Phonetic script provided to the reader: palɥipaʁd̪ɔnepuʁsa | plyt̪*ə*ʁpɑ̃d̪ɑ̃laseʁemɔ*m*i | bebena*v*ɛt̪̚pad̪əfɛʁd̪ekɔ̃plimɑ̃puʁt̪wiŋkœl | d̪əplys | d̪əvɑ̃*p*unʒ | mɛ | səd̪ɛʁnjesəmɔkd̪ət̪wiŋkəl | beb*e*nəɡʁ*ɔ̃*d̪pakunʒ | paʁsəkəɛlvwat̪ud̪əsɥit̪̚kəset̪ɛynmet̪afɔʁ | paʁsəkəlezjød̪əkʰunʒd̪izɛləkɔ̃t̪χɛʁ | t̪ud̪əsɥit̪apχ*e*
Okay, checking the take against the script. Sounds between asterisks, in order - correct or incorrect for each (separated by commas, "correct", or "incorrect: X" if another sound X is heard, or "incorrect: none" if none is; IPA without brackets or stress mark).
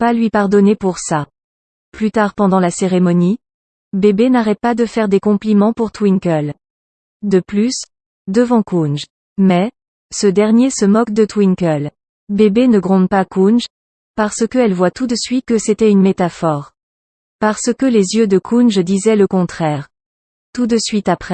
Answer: incorrect: a, incorrect: n, incorrect: ʁ, incorrect: k, correct, correct, incorrect: ɛ